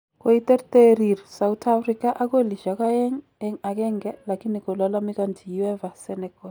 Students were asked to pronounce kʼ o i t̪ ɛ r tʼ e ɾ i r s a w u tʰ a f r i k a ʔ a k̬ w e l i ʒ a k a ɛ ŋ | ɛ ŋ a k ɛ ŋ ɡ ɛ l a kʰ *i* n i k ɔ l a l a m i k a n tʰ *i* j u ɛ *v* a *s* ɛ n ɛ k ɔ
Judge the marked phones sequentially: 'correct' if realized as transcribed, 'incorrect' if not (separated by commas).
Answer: correct, correct, correct, correct